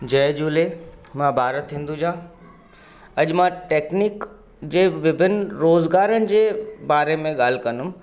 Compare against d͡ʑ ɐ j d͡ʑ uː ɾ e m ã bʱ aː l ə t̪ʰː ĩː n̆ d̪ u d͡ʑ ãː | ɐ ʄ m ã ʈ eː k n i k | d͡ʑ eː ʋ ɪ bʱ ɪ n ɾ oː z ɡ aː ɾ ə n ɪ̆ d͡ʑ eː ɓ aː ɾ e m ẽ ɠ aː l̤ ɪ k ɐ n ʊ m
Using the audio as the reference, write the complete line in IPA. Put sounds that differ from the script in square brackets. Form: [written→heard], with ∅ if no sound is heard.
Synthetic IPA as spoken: d͡ʑ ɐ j d͡ʑ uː [ɾ→l] e m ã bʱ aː [l→ɾ] ə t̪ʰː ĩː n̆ d̪ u d͡ʑ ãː | ɐ ʄ m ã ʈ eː k n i k | d͡ʑ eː ʋ ɪ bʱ ɪ n ɾ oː z ɡ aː ɾ ə n ɪ̆ d͡ʑ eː [ɓ→b] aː ɾ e m ẽ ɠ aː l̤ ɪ k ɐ n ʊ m